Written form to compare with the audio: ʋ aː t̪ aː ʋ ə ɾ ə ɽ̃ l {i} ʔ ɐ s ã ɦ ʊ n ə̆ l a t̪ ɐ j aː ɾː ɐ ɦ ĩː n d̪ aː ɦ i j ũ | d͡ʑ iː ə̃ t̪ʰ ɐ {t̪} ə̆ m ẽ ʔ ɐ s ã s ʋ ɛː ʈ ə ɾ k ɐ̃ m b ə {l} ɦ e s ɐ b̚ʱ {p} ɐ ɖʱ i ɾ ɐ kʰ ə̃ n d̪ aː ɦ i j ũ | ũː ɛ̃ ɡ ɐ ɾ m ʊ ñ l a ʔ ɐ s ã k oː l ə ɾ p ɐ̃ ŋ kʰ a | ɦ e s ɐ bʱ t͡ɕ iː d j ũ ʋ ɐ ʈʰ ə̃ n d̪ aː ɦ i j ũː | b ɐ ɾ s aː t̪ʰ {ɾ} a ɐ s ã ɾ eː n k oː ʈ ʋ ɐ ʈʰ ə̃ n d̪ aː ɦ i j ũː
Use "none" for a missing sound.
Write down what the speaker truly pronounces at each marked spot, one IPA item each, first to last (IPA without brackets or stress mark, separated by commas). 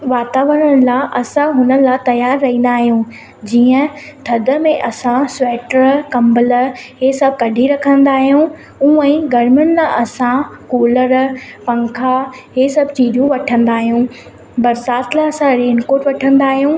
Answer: a, d̪, l, k, l